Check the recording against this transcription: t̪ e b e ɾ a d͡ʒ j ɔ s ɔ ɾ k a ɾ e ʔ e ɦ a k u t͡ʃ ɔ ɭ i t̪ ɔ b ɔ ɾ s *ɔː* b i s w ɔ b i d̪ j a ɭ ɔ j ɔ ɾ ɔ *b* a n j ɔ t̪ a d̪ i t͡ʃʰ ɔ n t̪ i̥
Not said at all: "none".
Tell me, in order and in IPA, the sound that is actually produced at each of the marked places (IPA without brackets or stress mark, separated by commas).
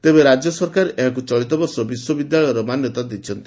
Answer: ɔ, m